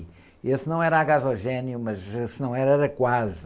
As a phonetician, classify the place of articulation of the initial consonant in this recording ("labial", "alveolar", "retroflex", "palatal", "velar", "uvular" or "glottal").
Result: alveolar